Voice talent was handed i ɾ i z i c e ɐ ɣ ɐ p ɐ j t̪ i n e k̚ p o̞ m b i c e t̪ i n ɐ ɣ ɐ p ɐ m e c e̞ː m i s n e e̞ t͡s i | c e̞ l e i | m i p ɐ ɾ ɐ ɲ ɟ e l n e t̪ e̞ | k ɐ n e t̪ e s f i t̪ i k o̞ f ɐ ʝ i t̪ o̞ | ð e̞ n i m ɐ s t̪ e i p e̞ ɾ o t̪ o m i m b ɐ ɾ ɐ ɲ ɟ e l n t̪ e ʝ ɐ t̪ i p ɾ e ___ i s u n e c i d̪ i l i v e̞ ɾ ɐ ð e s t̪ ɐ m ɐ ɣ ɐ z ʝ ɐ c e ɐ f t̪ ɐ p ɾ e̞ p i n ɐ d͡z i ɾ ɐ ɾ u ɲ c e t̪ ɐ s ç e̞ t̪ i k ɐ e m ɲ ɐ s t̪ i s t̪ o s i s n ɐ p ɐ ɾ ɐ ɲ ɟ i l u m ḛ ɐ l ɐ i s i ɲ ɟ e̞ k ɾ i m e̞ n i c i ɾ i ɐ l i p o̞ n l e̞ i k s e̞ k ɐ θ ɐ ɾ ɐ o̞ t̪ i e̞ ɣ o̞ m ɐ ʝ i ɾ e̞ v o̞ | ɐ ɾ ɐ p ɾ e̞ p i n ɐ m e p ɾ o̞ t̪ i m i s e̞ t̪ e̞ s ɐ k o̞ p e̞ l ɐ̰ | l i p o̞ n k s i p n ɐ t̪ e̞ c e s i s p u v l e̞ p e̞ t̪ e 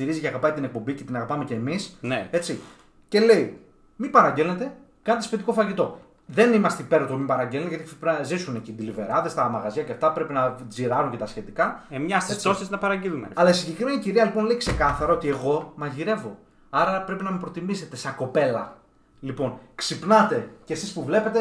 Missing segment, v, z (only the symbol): z